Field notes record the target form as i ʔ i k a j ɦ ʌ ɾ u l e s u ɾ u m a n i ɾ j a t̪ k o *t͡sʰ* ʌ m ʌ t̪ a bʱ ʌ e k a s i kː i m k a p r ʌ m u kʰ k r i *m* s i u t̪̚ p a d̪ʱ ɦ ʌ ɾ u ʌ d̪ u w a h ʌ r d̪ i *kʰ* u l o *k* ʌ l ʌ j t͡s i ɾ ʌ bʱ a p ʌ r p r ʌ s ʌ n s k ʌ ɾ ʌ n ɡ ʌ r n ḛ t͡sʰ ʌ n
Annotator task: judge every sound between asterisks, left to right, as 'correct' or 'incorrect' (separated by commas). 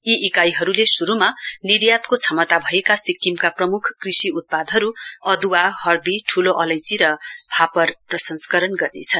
correct, incorrect, incorrect, incorrect